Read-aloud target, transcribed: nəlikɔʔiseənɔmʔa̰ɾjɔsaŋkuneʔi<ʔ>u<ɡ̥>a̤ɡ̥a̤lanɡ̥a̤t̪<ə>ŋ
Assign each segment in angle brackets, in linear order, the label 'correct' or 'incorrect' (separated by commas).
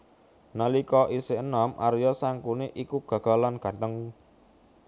incorrect, correct, correct